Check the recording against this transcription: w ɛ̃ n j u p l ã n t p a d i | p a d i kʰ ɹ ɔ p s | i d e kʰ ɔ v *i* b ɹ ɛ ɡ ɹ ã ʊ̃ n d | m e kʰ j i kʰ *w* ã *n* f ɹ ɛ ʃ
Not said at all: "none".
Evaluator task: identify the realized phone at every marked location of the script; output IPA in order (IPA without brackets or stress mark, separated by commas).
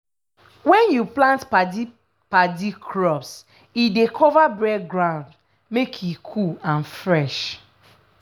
a, u, n